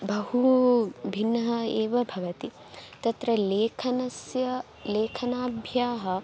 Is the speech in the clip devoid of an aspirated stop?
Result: no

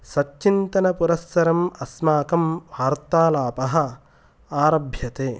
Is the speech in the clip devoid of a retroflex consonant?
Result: yes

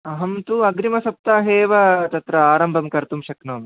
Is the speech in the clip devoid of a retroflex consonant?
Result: yes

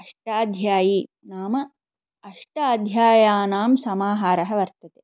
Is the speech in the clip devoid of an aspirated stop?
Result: yes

